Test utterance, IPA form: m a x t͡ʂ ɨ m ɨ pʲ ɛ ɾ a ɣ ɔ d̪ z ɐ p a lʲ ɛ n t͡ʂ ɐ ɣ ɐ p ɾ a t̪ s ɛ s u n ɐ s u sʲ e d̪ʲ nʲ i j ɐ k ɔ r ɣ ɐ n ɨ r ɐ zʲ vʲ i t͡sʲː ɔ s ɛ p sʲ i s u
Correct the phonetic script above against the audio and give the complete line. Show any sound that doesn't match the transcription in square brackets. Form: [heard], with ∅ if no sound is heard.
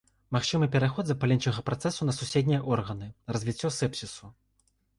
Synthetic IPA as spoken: m a x t͡ʂ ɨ m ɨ pʲ ɛ ɾ a [x] ɔ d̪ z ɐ p a lʲ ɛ n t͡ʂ ɐ ɣ ɐ p ɾ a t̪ s ɛ s u n ɐ s u sʲ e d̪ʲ nʲ i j ɐ [ʔ] ɔ r ɣ ɐ n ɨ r ɐ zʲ vʲ i t͡sʲː ɔ s ɛ p sʲ i s u